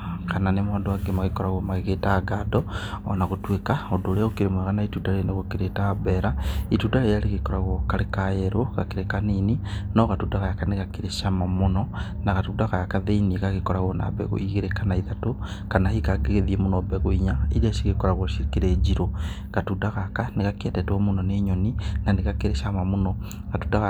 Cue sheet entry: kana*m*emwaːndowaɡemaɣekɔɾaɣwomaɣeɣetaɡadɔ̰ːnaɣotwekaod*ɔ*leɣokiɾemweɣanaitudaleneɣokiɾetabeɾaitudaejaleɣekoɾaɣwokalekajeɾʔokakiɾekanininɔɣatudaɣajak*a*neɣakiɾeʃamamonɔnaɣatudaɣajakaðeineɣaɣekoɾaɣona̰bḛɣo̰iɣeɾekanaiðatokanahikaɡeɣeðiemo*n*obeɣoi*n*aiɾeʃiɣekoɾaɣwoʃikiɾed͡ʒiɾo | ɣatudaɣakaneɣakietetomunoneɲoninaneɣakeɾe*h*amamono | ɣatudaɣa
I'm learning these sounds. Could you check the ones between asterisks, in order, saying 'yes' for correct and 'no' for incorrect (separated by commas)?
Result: no, no, yes, yes, no, no